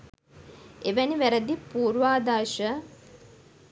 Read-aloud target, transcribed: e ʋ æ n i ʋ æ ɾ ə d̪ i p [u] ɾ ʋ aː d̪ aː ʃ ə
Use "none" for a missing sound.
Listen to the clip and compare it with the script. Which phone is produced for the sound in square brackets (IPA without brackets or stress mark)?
uː